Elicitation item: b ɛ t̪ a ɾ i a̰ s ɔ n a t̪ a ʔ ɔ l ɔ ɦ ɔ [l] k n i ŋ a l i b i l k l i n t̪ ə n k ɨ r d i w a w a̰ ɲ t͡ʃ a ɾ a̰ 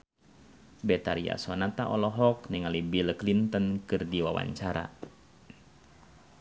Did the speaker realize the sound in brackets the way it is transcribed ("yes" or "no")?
no